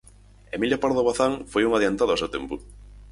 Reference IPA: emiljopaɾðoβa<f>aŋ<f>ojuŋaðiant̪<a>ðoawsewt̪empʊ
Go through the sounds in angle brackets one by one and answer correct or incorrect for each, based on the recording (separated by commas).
incorrect, correct, correct